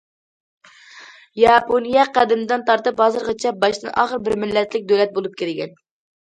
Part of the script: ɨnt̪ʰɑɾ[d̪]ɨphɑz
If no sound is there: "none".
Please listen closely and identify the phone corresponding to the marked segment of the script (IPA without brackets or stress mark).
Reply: t̪